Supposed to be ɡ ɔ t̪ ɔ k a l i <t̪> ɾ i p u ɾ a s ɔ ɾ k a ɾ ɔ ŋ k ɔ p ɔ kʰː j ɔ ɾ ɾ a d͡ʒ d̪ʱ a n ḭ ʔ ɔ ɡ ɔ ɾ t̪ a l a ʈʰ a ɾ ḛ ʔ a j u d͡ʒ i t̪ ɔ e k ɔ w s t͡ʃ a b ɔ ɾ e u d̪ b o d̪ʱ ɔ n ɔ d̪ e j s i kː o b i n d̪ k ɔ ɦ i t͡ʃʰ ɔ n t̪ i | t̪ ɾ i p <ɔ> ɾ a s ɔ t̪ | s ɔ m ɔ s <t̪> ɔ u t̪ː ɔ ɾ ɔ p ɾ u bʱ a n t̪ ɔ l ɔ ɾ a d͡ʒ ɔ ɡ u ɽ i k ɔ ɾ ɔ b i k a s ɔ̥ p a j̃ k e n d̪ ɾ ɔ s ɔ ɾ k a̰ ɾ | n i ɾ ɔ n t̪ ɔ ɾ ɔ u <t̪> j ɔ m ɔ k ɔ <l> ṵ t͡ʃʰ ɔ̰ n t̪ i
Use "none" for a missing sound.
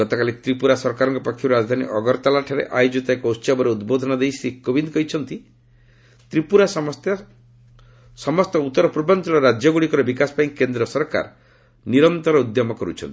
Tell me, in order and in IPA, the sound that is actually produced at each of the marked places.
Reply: t̪, u, t̪, d̪, ɾ

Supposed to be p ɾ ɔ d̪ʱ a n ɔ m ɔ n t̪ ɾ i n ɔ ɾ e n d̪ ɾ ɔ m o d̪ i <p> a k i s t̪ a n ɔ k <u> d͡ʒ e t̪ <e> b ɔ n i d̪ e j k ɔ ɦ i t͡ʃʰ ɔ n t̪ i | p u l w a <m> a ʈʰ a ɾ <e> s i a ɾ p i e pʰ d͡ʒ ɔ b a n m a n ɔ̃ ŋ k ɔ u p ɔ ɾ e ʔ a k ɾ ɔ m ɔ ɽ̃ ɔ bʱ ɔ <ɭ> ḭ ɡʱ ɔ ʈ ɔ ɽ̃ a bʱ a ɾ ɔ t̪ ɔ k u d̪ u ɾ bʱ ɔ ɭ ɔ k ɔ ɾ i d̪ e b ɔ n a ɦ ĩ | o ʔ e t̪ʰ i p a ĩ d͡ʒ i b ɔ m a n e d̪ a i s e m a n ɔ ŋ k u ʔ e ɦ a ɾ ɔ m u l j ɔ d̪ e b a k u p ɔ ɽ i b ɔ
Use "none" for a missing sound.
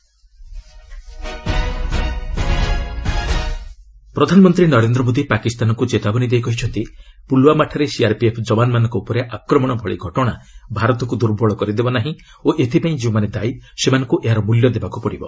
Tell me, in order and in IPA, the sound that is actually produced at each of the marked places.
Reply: p, u, a, m, e, ɭ

